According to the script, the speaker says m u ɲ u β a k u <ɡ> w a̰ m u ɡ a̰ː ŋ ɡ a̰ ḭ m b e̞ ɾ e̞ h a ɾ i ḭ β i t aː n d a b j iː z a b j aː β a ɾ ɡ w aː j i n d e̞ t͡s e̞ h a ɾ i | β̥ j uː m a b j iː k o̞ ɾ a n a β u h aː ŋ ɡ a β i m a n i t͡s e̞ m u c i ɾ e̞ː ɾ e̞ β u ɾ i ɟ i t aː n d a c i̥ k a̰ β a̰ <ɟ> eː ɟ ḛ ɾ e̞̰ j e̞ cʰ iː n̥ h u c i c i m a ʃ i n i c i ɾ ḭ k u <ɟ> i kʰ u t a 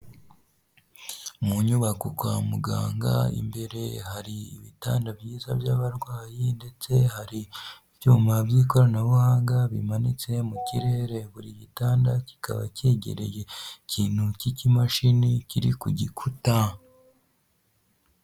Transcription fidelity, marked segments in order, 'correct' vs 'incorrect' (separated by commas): incorrect, incorrect, correct